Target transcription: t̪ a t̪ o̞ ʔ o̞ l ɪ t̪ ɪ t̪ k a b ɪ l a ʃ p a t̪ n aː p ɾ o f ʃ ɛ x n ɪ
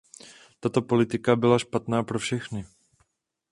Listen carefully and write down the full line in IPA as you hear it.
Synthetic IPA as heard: t̪ a t̪ o̞ p o̞ l ɪ t̪ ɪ k a b ɪ l a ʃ p a t̪ n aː p ɾ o f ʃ ɛ x n ɪ

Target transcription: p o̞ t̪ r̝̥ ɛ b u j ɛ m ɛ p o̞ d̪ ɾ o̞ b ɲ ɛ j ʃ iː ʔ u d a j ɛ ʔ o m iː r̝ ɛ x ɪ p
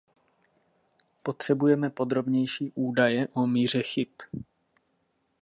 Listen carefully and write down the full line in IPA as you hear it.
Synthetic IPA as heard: p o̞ t̪ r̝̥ ɛ b u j ɛ m ɛ p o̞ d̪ ɾ o̞ b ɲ ɛ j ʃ iː ʔ uː d a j ɛ ʔ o m iː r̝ ɛ x ɪ p

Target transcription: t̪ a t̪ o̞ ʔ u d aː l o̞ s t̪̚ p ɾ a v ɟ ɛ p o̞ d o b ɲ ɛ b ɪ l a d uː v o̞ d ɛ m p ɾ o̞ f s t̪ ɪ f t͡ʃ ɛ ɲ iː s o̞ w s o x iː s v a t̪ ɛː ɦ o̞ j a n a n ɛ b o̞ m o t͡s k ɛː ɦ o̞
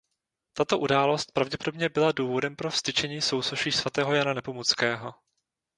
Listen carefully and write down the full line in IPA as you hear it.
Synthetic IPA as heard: t̪ a t̪ o̞ ʔ u d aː l o̞ s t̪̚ p ɾ a v ɟ ɛ p o̞ d o b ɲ ɛ b ɪ l a d uː v o̞ d ɛ m p ɾ o̞ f s t̪ ɪ t͡ʃ ɛ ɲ iː s o̞ w s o ʃ iː s v a t̪ ɛː ɦ o̞ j a n a n ɛ p o̞ m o t͡s k ɛː ɦ o̞

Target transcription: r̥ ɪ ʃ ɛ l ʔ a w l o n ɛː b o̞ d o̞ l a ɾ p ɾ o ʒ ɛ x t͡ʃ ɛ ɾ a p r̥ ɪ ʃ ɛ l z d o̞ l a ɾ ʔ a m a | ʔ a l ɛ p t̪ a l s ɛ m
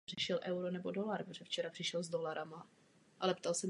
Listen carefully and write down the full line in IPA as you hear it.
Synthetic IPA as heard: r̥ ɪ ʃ ɛ l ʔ ɛ w ɾ o n ɛ b o̞ d o̞ l a ɾ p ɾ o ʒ ɛ f t͡ʃ ɛ ɾ a p r̥ ɪ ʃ ɛ l z d o̞ l a ɾ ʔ a m a | ʔ a l ɛ p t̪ a l s ɛ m

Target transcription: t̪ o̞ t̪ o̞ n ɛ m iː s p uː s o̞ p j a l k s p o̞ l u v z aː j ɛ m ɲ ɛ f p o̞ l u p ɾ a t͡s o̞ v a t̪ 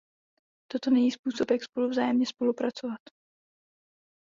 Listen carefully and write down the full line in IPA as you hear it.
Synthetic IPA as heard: t̪ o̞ t̪ o̞ n ɛ ɲ iː s p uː s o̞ p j a k s p o̞ l u v z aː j ɛ m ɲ ɛ s p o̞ l u p ɾ a t͡s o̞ v a t̪

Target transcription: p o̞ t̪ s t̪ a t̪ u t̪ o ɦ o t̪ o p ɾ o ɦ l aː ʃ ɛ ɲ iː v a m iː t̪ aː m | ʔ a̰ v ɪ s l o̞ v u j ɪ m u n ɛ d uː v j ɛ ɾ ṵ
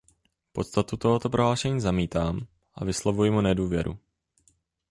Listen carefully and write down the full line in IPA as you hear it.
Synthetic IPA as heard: p o̞ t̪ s t̪ a t̪ u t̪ o ɦ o t̪ o p ɾ o ɦ l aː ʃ ɛ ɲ iː z a m iː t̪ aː m | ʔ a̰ v ɪ s l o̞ v u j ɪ m u n ɛ d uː v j ɛ ɾ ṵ

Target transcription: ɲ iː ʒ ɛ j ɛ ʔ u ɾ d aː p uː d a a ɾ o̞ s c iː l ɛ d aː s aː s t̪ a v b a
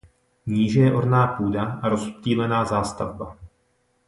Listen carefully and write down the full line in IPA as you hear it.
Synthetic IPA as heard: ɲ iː ʒ ɛ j ɛ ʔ o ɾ n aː p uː d a a ɾ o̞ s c iː l ɛ n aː z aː s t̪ a v b a

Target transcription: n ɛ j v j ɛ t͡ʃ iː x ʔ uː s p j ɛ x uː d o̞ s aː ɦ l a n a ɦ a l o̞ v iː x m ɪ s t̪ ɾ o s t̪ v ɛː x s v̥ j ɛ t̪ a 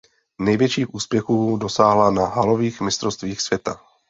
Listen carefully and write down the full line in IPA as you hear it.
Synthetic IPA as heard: n ɛ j v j ɛ t͡ʃ iː x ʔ uː s p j ɛ x uː d o̞ s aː ɦ l a n a ɦ a l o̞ v iː x m ɪ s t̪ ɾ o s t̪ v iː x s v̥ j ɛ t̪ a

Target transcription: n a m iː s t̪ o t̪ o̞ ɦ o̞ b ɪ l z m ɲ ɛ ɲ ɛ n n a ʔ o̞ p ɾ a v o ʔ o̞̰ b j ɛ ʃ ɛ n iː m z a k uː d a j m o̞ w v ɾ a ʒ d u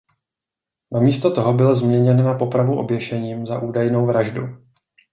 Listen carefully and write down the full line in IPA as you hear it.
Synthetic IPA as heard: n a m iː s t̪ o t̪ o̞ ɦ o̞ b ɪ l z m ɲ ɛ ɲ ɛ n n a p o̞ p ɾ a v u ʔ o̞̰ b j ɛ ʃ ɛ ɲ iː m z a ʔ uː d a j n o̞ w v ɾ a ʒ d u

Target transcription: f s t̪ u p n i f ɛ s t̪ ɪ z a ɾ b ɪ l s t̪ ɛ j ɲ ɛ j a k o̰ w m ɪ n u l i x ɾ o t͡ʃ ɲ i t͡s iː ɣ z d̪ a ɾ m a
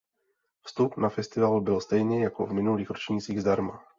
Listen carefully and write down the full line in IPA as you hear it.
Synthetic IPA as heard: f s t̪ u p n a f ɛ s t̪ ɪ v a l b ɪ l s t̪ ɛ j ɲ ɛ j a k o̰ v m ɪ n u l iː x ɾ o t͡ʃ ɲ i t͡s iː ɣ z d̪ a ɾ m a

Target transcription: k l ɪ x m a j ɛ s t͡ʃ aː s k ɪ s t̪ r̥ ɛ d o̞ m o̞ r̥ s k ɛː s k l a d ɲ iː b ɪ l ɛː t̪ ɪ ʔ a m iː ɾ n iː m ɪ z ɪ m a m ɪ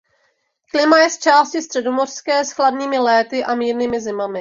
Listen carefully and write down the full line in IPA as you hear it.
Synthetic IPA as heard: k l ɪ m a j ɛ s t͡ʃ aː s c ɪ s t̪ r̥ ɛ d o̞ m o̞ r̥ s k ɛː s x l a d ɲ iː m ɪ l ɛː t̪ ɪ ʔ a m iː ɾ n iː m ɪ z ɪ m a m ɪ

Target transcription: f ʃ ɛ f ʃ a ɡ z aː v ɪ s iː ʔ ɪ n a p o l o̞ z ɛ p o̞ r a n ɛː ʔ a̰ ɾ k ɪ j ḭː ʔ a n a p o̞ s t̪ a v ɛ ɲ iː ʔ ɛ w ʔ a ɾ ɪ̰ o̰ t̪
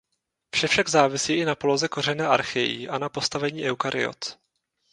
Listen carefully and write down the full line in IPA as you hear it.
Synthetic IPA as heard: f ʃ ɛ f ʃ a ɡ z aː v ɪ s iː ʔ ɪ n a p o l o̞ z ɛ k o̞ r ɛ n ɛː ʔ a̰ ɾ x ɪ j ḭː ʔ a n a p o̞ s t̪ a v ɛ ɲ iː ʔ ɛ w k a ɾ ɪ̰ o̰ t̪

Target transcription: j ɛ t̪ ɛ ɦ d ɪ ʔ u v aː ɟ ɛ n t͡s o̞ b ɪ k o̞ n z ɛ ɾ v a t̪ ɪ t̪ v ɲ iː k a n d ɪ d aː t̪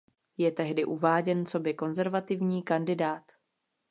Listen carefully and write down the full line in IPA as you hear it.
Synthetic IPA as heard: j ɛ t̪ ɛ ɦ d ɪ ʔ u v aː ɟ ɛ n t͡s o̞ b ɪ k o̞ n z ɛ ɾ v a t̪ ɪ v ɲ iː k a n d ɪ d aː t̪

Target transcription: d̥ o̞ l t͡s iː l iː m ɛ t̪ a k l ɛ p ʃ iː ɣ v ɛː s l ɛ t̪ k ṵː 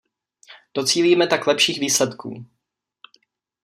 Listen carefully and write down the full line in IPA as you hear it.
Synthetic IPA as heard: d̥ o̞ t͡s iː l iː m ɛ t̪ a k l ɛ p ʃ iː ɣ v iː s l ɛ t̪ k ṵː

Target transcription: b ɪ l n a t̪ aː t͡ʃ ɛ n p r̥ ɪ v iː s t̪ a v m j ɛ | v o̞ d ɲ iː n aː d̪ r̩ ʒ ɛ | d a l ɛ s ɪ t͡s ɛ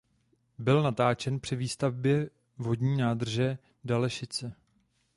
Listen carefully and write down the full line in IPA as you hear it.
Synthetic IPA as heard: b ɪ l n a t̪ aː t͡ʃ ɛ n p r̥ ɪ v iː s t̪ a v b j ɛ | v o̞ d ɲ iː n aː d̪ r̩ ʒ ɛ | d a l ɛ ʃ ɪ t͡s ɛ

